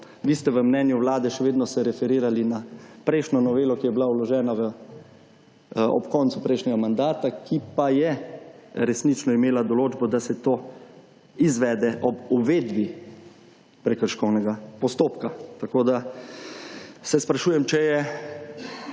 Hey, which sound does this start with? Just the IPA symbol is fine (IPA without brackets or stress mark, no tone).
ʋ